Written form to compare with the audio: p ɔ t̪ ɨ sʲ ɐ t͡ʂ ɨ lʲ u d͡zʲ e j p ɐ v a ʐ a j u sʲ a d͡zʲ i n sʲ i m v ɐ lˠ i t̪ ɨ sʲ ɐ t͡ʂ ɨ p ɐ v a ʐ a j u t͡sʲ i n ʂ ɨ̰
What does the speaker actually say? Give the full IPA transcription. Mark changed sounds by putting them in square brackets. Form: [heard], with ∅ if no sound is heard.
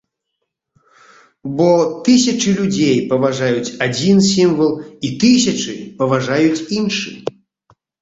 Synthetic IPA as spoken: [b] ɔ t̪ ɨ sʲ ɐ t͡ʂ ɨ lʲ u d͡zʲ e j p ɐ v a ʐ a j u [t͡sʲ] a d͡zʲ i n sʲ i m v ɐ lˠ i t̪ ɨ sʲ ɐ t͡ʂ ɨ p ɐ v a ʐ a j u t͡sʲ i n ʂ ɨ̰